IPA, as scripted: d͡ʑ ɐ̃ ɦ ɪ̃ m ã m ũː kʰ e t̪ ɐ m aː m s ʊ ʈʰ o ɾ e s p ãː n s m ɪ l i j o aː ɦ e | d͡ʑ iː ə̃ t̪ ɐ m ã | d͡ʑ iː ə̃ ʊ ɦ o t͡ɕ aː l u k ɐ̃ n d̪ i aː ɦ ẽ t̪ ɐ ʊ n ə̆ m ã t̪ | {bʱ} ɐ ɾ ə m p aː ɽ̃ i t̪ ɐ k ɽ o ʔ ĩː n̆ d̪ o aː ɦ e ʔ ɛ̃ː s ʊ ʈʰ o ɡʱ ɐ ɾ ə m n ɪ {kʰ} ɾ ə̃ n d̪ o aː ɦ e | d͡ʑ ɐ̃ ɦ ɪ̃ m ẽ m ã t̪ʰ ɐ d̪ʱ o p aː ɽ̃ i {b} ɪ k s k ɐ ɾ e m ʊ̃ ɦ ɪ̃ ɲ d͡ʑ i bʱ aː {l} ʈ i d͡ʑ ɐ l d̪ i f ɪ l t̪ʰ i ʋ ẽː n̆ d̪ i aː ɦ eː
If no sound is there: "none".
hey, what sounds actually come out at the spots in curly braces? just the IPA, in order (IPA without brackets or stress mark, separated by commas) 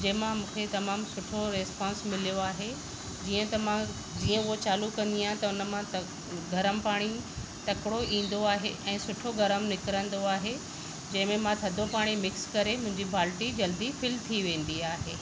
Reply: ɡʱ, k, m, l